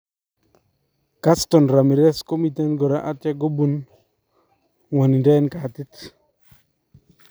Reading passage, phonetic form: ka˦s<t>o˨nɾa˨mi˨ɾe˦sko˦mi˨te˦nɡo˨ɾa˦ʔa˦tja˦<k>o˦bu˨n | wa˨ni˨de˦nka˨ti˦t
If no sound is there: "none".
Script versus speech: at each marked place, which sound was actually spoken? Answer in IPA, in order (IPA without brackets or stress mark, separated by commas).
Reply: t, ɡ